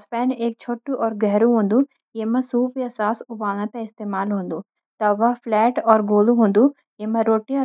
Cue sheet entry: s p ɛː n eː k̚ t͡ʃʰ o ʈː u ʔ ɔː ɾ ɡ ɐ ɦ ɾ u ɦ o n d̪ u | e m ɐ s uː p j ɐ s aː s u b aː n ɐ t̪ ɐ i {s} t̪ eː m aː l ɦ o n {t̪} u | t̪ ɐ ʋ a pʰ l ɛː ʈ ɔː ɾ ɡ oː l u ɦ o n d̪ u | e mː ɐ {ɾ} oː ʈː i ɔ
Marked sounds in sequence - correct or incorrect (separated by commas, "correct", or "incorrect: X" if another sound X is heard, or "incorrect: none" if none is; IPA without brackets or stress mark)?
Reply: correct, incorrect: d̪, correct